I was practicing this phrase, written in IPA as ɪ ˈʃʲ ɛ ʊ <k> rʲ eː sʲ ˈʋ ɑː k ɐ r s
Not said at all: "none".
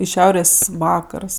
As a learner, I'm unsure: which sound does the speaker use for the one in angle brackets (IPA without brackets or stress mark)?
none